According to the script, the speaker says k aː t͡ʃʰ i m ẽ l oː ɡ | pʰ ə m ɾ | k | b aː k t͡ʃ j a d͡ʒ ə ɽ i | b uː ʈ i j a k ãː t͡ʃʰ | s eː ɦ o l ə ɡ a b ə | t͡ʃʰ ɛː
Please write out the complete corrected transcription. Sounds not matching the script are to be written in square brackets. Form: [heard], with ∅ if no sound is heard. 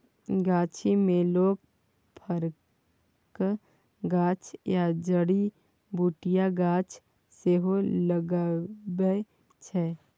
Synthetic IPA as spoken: [ɡ] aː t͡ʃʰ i m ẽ l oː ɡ | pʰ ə [∅] ɾ | k | [ɡ] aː [∅] t͡ʃ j a d͡ʒ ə ɽ i | b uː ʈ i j a [ɡ] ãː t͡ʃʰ | s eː ɦ o l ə ɡ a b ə | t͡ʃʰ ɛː

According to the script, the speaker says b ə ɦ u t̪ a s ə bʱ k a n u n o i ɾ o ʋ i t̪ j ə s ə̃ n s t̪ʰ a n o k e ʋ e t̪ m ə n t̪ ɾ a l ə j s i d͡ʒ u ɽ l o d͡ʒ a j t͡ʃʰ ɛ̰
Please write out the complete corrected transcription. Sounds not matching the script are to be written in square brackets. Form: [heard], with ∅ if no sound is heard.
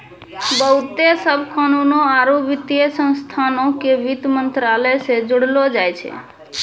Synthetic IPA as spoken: b ə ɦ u t̪ [e] s ə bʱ k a n u n o [a] ɾ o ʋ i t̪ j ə s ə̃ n s t̪ʰ a n o k e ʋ [i] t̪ m ə n t̪ ɾ a l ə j s [e] d͡ʒ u ɽ l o d͡ʒ a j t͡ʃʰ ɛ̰

